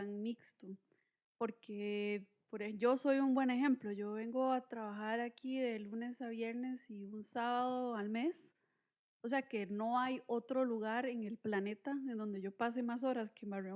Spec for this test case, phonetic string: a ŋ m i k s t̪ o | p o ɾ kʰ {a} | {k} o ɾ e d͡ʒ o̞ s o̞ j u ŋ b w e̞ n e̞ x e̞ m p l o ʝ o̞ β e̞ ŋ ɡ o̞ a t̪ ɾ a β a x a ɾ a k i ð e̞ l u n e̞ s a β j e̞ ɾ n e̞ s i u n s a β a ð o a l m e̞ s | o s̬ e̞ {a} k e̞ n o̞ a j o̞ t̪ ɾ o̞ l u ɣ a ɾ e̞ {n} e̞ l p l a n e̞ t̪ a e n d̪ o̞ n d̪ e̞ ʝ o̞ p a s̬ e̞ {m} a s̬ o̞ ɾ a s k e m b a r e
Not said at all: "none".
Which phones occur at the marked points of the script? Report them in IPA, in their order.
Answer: e, p, a, ŋ, m

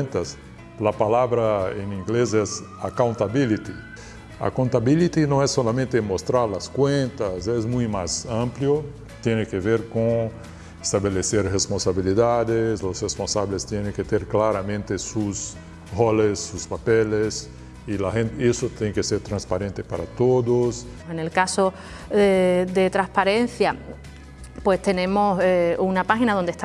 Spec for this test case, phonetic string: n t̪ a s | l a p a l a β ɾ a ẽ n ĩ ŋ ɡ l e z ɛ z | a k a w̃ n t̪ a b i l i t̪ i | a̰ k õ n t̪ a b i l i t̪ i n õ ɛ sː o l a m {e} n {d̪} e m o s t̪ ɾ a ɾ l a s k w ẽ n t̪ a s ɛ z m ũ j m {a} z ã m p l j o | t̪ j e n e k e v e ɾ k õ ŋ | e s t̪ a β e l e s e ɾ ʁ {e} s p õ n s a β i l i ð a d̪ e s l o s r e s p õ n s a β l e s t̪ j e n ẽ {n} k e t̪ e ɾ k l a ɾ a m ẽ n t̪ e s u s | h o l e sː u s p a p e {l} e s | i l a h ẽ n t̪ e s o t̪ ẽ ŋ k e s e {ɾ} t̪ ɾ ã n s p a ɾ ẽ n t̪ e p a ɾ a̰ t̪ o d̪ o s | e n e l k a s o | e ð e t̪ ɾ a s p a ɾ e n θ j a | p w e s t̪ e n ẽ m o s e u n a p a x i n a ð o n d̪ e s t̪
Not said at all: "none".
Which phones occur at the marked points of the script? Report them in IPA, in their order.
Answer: ẽ, t̪, a, e, ŋ, l, ɾ

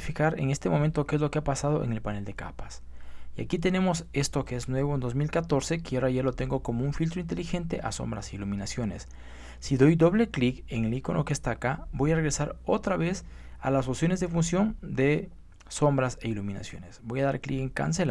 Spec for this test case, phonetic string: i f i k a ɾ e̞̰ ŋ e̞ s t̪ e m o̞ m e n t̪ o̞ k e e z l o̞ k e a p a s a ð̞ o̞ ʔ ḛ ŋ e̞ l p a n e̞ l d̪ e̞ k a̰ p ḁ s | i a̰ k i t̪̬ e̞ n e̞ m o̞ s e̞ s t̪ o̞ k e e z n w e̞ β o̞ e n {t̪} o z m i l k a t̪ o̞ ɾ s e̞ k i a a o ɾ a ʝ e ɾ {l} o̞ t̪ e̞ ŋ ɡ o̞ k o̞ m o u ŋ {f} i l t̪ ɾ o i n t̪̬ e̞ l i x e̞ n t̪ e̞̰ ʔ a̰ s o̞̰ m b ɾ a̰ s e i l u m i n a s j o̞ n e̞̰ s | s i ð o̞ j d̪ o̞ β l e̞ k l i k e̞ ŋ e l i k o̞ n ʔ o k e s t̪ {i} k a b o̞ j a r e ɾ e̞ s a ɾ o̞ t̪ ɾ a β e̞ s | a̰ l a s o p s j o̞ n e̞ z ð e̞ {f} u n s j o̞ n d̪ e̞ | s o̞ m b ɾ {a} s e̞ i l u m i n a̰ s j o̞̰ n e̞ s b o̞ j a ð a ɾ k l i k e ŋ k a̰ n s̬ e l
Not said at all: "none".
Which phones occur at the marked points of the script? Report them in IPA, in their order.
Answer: d̪, l, f, a, f, a

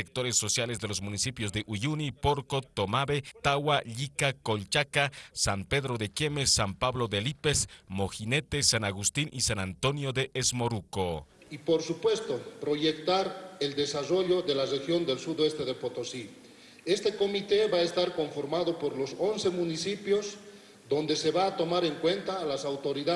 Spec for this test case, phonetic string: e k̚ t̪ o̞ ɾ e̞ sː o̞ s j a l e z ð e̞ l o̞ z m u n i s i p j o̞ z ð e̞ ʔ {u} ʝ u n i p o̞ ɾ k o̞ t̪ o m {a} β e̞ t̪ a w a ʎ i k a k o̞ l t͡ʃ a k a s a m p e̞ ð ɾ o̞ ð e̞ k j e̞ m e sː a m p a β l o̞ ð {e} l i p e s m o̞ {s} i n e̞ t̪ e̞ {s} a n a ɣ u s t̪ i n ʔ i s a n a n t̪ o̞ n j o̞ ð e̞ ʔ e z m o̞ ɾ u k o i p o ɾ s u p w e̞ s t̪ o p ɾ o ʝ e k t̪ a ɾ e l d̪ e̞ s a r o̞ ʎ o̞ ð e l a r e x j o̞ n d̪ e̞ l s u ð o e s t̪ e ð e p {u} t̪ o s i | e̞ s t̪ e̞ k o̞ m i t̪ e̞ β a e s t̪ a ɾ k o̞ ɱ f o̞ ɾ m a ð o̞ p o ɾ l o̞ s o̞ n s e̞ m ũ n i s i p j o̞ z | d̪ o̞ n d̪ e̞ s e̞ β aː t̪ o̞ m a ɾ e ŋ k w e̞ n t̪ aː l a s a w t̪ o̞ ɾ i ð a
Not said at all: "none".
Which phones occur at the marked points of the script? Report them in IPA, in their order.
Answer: u, a, e, x, s, o

